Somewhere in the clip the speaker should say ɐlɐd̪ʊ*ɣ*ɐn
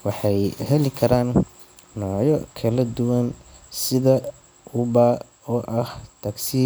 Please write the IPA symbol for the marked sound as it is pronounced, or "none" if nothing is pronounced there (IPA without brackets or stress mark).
w